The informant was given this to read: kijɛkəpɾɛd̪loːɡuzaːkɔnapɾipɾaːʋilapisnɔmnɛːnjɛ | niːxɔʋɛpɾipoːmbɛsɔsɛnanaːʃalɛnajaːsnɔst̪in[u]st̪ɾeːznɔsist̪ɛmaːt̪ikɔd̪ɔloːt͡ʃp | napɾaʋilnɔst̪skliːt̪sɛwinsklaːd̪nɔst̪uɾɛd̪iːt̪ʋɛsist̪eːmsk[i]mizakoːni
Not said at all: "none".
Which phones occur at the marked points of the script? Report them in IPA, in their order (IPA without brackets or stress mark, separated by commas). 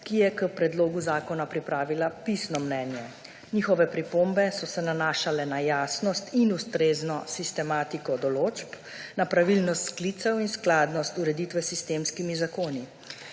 u, i